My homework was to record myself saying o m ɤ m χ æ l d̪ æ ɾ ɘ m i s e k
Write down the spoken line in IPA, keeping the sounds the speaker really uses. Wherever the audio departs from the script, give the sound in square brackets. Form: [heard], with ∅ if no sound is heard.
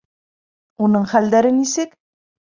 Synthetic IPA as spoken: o [n] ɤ [ɴ] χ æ l d̪ æ ɾ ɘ [n] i s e k